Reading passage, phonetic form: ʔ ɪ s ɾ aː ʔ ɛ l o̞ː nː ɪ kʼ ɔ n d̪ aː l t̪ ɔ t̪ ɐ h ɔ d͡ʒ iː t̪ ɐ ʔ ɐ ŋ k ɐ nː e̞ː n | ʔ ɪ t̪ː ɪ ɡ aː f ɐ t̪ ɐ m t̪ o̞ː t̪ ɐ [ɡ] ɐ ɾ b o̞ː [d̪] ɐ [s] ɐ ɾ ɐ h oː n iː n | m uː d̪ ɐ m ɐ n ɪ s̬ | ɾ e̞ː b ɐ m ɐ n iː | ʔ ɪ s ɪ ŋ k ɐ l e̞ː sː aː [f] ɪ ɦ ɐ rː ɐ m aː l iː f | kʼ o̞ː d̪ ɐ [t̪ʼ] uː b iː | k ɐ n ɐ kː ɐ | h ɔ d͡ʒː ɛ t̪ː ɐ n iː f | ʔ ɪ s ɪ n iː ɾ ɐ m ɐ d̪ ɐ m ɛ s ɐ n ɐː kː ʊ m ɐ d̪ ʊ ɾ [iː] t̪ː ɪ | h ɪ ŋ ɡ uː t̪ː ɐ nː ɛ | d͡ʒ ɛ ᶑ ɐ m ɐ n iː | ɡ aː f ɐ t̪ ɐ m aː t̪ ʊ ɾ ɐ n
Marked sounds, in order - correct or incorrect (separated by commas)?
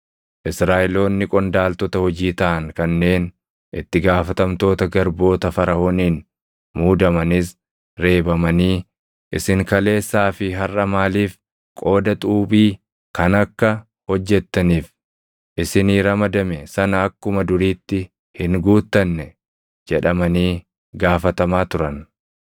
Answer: correct, incorrect, incorrect, correct, correct, correct